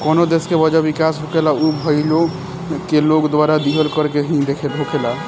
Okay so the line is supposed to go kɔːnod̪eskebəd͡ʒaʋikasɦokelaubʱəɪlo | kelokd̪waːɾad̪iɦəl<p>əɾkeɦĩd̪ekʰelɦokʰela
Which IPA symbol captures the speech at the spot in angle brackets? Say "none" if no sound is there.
k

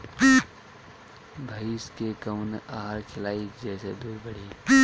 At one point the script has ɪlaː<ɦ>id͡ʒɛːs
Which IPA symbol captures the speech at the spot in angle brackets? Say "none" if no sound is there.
none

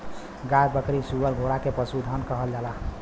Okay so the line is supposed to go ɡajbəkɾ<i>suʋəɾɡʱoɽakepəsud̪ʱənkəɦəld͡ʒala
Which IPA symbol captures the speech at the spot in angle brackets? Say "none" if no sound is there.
i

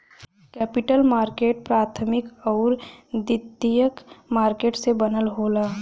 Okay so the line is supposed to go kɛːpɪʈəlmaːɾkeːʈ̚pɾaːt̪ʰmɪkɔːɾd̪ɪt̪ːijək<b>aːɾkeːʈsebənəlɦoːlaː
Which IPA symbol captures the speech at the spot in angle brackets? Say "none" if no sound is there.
m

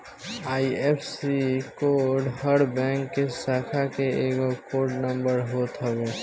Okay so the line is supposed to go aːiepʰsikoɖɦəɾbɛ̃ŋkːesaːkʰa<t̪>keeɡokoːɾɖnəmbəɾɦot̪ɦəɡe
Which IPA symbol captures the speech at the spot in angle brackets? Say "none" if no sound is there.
none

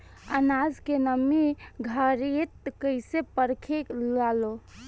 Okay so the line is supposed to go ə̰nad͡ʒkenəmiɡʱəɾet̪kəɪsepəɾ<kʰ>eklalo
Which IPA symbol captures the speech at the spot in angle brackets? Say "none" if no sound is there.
kʰ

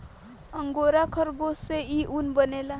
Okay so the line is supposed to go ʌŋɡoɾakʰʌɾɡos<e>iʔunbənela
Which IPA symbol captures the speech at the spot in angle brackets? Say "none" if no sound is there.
e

